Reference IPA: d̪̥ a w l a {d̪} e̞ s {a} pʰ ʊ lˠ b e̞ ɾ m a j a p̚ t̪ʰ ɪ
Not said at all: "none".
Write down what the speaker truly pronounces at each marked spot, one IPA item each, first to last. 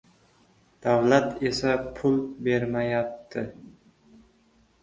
t̪, a

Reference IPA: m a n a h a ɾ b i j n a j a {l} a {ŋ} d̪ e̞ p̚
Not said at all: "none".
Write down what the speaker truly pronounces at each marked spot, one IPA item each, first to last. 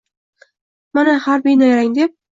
ɾ, ŋ

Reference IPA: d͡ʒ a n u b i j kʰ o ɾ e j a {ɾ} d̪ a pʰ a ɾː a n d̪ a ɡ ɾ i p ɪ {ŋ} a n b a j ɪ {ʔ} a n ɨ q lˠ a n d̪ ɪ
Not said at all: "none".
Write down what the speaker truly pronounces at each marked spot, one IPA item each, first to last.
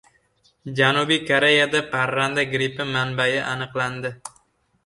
none, m, ʔ

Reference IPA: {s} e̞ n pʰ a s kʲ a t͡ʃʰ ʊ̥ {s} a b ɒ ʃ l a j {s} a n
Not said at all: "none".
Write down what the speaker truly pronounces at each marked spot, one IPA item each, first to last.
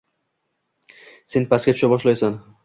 s, ʃ, s

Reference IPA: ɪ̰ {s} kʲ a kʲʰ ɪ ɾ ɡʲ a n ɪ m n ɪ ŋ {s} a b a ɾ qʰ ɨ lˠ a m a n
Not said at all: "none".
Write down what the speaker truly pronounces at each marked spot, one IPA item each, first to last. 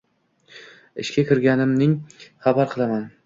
ʃ, χ

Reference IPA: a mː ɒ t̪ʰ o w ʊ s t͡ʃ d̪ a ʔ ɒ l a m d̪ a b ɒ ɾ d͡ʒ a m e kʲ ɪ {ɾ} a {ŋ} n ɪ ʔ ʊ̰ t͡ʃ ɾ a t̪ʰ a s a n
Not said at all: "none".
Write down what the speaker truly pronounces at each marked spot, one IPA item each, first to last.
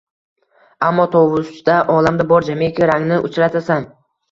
ɾ, ŋ

